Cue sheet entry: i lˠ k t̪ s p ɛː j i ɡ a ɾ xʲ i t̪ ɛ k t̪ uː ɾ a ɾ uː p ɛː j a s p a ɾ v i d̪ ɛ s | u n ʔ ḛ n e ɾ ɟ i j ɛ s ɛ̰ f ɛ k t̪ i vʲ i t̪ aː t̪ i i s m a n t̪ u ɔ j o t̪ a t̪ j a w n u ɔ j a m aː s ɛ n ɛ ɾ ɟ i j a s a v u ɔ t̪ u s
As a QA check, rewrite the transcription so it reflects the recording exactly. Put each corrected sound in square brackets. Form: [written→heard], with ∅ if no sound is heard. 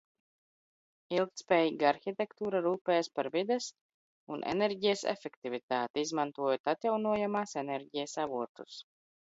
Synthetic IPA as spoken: i lˠ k t̪ s p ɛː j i ɡ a ɾ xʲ i t̪ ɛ k t̪ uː ɾ a ɾ uː p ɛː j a s p a ɾ v i d̪ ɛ s | u n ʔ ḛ n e ɾ ɟ i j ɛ s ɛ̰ f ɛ k t̪ i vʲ i t̪ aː t̪ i i [s→z] m a n t̪ u ɔ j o t̪ a t̪ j a w n u ɔ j a m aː s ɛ n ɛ ɾ ɟ i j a s a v u ɔ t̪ u s